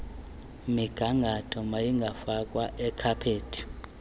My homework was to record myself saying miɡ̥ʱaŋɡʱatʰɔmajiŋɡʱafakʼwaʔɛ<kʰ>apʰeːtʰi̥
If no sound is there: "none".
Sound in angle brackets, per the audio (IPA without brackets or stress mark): kʰ